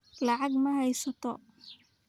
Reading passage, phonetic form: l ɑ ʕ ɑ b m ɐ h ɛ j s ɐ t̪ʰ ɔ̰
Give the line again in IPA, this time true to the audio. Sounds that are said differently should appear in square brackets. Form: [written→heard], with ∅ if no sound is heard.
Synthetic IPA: l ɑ ʕ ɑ [b→ɡ] m ɐ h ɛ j s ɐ t̪ʰ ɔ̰